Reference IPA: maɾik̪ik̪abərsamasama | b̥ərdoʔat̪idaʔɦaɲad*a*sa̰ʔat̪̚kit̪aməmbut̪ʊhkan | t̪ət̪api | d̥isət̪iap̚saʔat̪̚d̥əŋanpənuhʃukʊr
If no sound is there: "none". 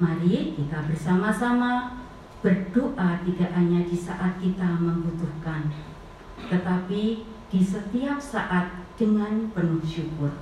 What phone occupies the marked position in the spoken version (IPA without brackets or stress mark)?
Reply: i